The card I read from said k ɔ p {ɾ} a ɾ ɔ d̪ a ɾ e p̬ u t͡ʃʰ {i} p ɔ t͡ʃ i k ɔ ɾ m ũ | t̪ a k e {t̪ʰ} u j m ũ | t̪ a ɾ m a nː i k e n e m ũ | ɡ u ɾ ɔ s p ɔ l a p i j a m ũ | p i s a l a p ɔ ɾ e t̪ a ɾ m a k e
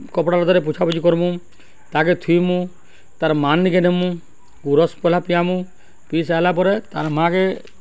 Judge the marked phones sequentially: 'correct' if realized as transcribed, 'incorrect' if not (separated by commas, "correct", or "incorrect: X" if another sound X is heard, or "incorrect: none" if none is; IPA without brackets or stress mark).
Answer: incorrect: ɽ, incorrect: a, correct